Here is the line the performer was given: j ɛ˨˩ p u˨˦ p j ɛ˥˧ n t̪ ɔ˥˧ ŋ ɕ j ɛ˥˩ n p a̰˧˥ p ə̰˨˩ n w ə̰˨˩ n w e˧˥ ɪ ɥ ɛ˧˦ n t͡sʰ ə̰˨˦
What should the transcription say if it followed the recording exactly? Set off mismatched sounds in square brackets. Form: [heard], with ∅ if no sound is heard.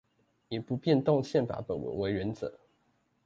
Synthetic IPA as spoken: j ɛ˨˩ p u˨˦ p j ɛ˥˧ n t̪ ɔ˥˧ ŋ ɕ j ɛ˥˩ n p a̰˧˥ p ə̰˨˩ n w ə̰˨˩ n w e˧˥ ɪ ɥ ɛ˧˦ n [t͡s] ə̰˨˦